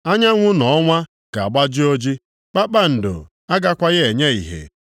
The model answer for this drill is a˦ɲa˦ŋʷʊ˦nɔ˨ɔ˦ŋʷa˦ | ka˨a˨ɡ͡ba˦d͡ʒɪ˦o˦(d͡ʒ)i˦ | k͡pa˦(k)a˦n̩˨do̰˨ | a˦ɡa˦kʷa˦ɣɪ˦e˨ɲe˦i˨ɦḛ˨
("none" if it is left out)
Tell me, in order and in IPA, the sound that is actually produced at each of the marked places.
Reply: d͡ʒ, k͡p

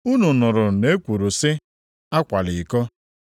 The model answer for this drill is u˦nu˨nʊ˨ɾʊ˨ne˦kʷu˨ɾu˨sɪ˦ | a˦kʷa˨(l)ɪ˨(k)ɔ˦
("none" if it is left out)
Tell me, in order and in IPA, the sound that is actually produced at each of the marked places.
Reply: l, k

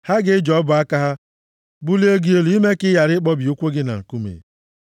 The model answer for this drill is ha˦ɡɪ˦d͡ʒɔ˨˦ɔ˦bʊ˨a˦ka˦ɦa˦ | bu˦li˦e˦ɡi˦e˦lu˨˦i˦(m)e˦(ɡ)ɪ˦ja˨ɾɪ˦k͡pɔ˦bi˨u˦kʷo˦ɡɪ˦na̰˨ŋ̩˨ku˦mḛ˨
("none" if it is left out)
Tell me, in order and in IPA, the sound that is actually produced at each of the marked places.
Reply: m, k

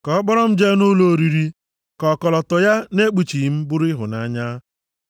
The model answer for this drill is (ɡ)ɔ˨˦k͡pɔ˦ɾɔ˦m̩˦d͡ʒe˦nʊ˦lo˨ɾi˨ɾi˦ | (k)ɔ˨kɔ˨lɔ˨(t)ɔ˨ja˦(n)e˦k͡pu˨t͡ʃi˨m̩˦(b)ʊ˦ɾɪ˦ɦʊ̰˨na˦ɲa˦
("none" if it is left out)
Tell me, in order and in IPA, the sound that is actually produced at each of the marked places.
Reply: k, k, t, n, b

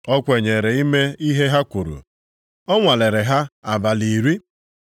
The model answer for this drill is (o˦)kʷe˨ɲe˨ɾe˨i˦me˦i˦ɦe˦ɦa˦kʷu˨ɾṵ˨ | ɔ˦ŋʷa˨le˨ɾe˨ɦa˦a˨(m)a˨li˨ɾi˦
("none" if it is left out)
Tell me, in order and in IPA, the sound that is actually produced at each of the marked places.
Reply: ɔ˦, b

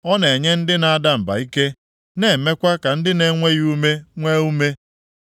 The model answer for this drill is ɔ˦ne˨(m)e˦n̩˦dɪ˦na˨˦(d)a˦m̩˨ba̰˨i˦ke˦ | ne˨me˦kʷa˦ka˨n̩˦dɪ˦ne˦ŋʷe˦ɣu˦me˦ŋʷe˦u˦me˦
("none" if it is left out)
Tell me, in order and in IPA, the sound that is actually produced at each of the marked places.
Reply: ɲ, d

